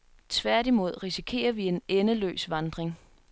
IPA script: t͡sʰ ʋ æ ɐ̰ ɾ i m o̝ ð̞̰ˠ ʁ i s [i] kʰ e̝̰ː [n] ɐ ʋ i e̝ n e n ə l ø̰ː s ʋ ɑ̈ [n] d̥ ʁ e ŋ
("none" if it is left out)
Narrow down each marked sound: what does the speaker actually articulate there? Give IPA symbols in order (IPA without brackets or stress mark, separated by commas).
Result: i, none, n